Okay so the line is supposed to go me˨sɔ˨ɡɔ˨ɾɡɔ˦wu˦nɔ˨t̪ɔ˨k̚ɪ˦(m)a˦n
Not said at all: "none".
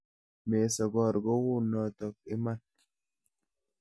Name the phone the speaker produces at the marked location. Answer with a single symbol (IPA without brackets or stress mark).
m